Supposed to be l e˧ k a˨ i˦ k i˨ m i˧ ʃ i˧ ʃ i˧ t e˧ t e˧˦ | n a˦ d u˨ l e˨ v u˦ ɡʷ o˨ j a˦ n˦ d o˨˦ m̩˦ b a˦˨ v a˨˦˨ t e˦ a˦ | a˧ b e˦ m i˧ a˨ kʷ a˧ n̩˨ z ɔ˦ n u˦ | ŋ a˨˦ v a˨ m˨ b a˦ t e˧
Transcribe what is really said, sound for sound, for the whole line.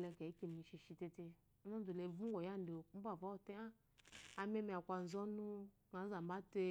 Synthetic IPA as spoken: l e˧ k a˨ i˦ k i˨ m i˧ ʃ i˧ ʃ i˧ t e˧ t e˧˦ | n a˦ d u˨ l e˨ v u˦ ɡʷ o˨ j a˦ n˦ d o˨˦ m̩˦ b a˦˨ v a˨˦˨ t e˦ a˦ | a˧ m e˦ m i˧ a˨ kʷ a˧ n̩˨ z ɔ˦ n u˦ | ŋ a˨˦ z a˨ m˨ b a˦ t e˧